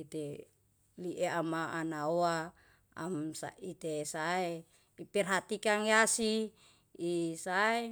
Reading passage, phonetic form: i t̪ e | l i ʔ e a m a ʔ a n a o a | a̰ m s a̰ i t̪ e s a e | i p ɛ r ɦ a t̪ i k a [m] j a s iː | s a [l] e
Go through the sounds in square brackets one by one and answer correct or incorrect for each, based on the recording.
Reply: incorrect: ŋ, incorrect: none

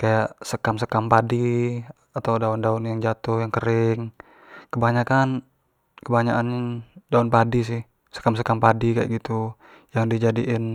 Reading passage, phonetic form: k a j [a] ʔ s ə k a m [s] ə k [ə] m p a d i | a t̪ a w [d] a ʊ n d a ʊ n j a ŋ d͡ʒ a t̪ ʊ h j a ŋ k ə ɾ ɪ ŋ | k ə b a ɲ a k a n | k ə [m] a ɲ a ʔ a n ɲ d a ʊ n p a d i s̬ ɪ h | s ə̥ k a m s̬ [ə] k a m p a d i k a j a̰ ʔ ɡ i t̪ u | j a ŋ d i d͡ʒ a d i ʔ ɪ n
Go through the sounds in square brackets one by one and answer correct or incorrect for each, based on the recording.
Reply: correct, correct, incorrect: a, correct, incorrect: b, correct

